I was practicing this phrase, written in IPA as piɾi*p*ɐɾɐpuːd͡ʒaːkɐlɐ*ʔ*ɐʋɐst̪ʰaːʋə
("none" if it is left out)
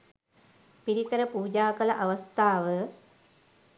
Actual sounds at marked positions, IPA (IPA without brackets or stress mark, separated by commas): k, ʔ